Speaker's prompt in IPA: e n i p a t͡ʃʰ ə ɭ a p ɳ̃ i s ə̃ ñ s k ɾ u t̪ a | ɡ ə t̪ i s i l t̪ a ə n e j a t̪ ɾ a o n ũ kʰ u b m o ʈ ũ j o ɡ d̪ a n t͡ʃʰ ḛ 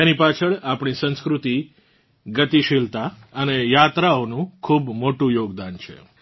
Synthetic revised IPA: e n i p a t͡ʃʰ ə ɭ a p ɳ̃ i s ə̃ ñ s k ɾ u t̪ i | ɡ ə t̪ i ʃ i l t̪ a ə n e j a t̪ ɾ a o n ũ kʰ u b m o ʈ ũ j o ɡ d̪ a n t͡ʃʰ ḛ